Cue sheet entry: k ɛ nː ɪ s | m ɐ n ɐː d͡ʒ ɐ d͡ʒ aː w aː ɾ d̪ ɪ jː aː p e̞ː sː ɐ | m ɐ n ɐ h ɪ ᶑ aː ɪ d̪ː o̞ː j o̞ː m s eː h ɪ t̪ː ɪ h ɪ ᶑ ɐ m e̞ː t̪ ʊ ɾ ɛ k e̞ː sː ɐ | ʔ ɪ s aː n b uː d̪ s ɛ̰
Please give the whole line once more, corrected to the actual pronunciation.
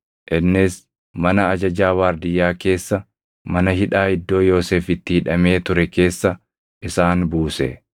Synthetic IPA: ʔ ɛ nː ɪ s | m ɐ n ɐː d͡ʒ ɐ d͡ʒ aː w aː ɾ d̪ ɪ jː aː k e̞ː sː ɐ | m ɐ n ɐ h ɪ ᶑ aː ɪ d̪ː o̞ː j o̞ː s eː f ɪ t̪ː ɪ h ɪ ᶑ ɐ m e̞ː t̪ ʊ ɾ ɛ k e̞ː sː ɐ | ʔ ɪ s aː n b uː s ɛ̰